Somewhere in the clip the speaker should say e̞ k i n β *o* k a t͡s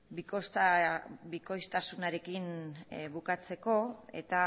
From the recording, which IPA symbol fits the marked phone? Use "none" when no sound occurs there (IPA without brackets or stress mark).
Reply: u